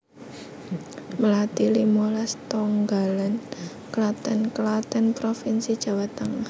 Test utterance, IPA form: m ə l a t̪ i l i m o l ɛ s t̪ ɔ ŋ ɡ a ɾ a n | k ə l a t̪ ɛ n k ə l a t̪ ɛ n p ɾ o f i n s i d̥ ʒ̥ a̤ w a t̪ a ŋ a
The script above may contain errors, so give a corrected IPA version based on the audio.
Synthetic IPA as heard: m ə l a t̪ i l i m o l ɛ s t̪ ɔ ŋ ɡ a l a n | k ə l a t̪ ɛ n k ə l a t̪ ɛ n p ɾ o f i n s i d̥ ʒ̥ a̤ w a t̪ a ŋ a